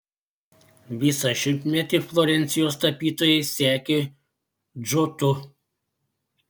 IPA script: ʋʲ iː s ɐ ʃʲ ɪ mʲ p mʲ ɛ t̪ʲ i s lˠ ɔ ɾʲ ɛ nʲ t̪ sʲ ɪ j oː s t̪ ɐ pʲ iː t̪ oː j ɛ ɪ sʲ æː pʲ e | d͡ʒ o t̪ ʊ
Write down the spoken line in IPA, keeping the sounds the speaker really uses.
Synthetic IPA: ʋʲ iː s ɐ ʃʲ ɪ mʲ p mʲ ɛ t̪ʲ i f lˠ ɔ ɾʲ ɛ nʲ t̪ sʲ ɪ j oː s t̪ ɐ pʲ iː t̪ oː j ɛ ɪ sʲ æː kʲ e | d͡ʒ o t̪ ʊ